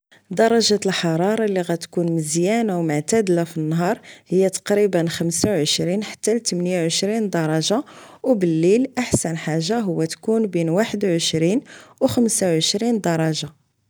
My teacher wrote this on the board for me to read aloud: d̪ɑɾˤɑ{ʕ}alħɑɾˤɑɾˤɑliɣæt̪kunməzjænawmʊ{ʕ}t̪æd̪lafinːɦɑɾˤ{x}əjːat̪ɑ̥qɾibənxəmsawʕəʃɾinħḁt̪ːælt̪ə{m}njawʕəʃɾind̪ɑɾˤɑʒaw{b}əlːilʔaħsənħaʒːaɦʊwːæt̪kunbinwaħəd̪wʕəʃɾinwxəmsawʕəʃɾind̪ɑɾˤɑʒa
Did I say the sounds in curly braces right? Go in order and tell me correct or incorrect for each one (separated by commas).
incorrect, correct, incorrect, correct, correct